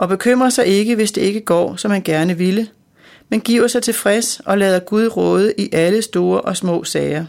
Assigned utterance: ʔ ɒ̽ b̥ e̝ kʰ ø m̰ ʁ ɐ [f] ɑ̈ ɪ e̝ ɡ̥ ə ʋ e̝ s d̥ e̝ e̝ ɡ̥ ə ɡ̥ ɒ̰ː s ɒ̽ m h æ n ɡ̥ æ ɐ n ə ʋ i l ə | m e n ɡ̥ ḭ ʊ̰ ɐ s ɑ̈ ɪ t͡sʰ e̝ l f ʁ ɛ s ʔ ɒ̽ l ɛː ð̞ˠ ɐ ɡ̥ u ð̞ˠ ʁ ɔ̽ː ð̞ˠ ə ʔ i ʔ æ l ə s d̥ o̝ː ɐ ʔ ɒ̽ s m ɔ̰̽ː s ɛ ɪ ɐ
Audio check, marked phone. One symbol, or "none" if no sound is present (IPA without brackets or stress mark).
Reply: s